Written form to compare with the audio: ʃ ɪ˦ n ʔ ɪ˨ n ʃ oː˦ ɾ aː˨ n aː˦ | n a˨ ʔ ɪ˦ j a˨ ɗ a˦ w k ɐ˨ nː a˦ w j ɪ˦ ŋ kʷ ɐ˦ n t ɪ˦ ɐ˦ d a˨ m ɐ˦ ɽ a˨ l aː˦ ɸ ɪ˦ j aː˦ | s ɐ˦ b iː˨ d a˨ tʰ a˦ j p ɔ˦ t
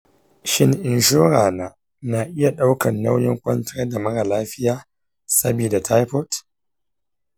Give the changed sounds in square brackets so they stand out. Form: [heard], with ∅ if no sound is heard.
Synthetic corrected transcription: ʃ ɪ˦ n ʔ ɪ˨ n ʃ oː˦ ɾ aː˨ n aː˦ | n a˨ ʔ ɪ˦ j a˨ ɗ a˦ w k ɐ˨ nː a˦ w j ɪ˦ ŋ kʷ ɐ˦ n t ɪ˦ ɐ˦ d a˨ m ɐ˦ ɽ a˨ l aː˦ ɸ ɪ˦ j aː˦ | s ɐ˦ b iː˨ d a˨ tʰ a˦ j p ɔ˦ t

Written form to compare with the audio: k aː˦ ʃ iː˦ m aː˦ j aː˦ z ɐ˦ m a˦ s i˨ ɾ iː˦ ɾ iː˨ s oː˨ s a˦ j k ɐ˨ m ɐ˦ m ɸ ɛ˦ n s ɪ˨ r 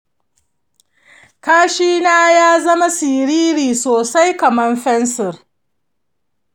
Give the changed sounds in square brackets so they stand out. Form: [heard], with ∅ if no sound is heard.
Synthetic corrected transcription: k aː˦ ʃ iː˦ [n] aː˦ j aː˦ z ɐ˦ m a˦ s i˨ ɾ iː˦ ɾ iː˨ s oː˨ s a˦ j k ɐ˨ m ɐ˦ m ɸ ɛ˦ n s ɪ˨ r

